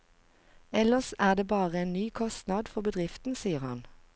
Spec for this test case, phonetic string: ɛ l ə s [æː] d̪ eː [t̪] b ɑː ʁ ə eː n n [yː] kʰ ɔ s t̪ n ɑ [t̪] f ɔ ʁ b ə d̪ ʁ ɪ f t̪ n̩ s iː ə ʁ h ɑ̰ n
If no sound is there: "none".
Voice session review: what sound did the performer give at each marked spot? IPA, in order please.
æː, none, yː, d̪

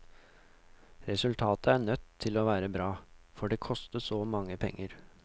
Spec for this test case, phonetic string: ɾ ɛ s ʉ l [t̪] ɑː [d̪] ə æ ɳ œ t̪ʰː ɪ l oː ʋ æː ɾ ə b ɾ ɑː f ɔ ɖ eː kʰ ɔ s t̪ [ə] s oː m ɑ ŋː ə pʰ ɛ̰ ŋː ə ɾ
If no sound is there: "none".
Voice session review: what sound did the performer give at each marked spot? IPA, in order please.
t̪ʰ, t̪, ə

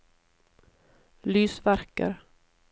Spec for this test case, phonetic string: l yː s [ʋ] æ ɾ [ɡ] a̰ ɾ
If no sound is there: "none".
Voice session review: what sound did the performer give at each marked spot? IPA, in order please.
v, k

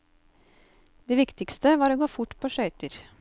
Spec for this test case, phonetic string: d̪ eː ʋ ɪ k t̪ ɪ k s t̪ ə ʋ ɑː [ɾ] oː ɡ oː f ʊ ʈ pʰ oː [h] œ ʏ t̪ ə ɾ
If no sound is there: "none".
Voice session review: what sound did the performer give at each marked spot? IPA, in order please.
ɾ, ʃ

